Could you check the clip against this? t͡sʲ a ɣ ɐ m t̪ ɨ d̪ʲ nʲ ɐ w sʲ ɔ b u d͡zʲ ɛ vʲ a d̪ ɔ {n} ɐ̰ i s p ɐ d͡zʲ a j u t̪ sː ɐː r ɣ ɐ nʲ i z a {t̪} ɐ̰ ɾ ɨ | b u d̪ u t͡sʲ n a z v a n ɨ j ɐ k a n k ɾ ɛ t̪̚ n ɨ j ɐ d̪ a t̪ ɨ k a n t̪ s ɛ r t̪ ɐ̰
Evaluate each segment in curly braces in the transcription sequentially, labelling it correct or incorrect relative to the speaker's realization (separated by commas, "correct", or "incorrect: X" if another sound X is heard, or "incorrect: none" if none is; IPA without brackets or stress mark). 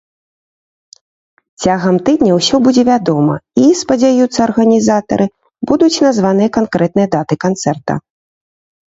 incorrect: m, correct